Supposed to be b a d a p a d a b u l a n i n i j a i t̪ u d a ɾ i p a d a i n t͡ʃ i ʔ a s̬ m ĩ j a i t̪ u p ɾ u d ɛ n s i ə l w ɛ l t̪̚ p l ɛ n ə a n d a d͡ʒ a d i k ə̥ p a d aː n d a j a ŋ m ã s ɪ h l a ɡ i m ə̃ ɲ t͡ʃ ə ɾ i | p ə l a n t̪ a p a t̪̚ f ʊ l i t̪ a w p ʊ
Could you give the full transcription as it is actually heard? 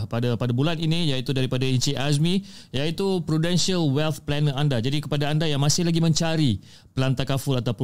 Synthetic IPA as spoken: p a d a p a d a b u l a n i n i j a i t̪ u d a ɾ i p a d a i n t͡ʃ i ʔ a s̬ m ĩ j a i t̪ u p ɾ u d ɛ n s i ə l w ɛ l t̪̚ p l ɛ n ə a n d a d͡ʒ a d i k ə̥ p a d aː n d a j a ŋ m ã s ɪ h l a ɡ i m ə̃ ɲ t͡ʃ a ɾ i | p ə l a n t̪ a k a f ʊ l a t̪ a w p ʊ